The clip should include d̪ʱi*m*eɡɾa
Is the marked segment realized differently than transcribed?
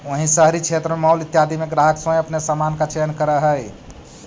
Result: no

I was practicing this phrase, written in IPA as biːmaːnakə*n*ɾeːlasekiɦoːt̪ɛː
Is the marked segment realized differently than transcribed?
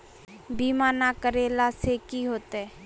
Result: yes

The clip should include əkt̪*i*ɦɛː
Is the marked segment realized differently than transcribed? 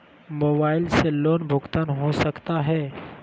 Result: yes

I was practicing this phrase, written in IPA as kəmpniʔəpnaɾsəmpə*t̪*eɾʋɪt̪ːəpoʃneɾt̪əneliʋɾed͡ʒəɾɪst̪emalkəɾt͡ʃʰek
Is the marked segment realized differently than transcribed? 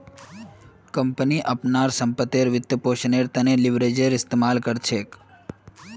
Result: no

